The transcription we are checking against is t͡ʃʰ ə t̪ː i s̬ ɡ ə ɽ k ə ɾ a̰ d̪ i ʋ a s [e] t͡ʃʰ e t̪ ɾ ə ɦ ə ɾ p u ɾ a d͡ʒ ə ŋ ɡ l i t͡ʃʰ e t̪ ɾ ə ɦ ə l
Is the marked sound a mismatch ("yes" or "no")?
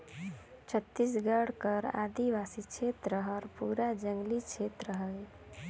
yes